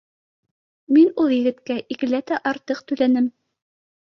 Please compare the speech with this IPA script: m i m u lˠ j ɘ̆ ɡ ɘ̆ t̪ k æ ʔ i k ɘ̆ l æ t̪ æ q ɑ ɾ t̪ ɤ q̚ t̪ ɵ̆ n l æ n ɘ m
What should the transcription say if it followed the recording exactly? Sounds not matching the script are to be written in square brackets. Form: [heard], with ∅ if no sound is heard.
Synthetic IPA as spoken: m i [n] u lˠ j ɘ̆ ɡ ɘ̆ t̪ k æ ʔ i k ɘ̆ l æ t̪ æ [ʔ] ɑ ɾ t̪ ɤ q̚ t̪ ɵ̆ [∅] l æ n ɘ m